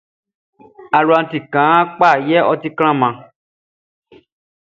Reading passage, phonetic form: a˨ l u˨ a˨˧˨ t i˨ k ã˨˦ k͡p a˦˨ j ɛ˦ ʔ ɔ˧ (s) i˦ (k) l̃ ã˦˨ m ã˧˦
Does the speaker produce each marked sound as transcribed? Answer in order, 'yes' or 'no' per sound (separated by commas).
no, yes